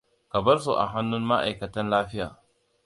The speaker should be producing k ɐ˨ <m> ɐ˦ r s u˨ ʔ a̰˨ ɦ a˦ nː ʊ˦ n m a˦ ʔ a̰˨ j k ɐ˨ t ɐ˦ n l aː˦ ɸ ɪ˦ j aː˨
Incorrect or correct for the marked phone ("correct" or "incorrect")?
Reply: incorrect